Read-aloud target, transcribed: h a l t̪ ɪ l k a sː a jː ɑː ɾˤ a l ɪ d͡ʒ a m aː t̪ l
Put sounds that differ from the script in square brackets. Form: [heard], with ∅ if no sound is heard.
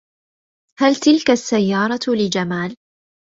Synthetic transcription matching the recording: h a l t̪ ɪ l k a sː a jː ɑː ɾˤ [ɑ] l ɪ d͡ʒ a m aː [∅] l